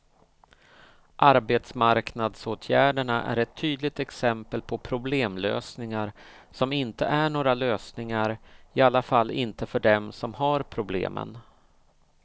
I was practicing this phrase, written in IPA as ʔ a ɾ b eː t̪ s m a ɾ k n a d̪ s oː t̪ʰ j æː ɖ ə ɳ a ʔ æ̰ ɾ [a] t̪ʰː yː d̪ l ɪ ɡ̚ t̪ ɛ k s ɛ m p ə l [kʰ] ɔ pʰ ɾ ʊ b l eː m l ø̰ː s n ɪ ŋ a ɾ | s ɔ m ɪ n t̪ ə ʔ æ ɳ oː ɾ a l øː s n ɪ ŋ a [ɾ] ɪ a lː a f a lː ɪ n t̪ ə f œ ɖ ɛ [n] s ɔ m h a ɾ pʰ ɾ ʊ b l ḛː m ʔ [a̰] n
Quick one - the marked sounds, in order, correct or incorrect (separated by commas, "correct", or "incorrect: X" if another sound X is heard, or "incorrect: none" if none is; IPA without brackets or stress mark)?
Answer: incorrect: ɛ, incorrect: pʰ, correct, incorrect: m, incorrect: ə̰